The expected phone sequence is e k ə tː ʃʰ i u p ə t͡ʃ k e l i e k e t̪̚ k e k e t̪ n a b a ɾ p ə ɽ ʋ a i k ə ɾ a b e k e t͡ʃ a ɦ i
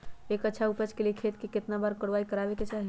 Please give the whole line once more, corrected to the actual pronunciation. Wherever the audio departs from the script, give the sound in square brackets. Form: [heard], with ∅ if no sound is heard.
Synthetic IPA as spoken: e k ə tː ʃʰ [a] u p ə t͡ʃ k e l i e [kʰ] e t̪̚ k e k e t̪ n a b a ɾ [k] ə ɽ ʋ a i k ə ɾ a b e k e t͡ʃ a ɦ i